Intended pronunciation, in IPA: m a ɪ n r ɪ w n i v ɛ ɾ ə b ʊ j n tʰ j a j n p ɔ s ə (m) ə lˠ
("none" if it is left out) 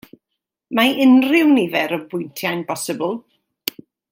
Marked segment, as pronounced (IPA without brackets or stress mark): b